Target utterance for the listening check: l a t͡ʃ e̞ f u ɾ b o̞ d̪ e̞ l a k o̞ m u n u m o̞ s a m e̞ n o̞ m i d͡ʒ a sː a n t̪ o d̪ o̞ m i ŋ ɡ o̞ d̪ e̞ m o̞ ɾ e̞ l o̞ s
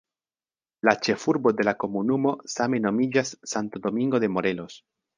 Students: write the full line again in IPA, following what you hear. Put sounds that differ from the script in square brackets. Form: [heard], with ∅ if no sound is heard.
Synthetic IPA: l a t͡ʃ e̞ f u ɾ b o̞ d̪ e̞ l a k o̞ m u n u m o̞ s a m e̞ n o̞ m i d͡ʒ a sː a n t̪ o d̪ o̞ m i ŋ ɡ o̞ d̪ e̞ m o̞ ɾ e̞ l o̞ s

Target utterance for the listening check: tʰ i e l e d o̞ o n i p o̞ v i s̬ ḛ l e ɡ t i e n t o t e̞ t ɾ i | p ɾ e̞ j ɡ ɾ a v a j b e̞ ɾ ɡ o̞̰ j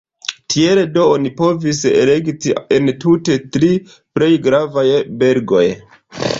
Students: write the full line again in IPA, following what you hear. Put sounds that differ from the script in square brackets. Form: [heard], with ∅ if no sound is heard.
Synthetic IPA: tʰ i e l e d o̞ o n i p o̞ v i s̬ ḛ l e ɡ t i e n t [u] t e̞ t ɾ i | p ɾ e̞ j ɡ ɾ a v a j b e̞ ɾ ɡ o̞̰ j

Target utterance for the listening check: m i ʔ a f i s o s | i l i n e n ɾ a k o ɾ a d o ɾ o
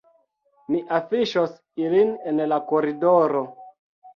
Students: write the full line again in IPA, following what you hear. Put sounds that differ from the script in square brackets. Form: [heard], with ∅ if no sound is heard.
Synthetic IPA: m i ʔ a f i [ʃ] o s | i l i n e n [l] a k o ɾ [i] d o ɾ o

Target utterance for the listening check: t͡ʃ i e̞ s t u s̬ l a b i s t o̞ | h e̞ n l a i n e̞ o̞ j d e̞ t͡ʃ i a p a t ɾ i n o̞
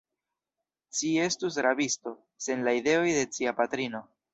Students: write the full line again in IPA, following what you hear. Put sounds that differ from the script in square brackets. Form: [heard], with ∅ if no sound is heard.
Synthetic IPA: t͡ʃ i e̞ s t u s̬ [ɾ] a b i s t o̞ | [s] e̞ n l a i [d] e̞ o̞ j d e̞ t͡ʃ i a p a t ɾ i n o̞

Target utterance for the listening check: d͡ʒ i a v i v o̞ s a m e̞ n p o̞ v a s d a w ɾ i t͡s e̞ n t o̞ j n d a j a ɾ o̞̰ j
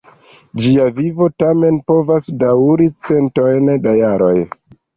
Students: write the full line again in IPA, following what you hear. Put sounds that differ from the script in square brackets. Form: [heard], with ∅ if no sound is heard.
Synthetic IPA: d͡ʒ i a v i v o̞ [t] a m e̞ n p o̞ v a s d a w ɾ i t͡s e̞ n t o̞ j n d a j a ɾ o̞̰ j

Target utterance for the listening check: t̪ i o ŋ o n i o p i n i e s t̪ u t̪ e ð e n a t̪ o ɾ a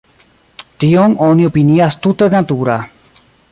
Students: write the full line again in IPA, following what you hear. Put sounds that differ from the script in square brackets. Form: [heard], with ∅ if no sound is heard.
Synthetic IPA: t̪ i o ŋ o n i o p i n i [a] s t̪ u t̪ e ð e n a t̪ [u] ɾ a

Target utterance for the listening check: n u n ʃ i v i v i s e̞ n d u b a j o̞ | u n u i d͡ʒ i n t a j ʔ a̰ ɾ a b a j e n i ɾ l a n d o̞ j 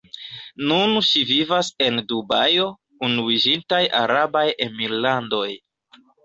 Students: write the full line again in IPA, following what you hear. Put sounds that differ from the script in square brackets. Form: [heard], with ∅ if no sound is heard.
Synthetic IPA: n u n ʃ i v i v [a] s e̞ n d u b a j o̞ | u n u i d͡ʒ i n t a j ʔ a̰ ɾ a b a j e [m] i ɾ l a n d o̞ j

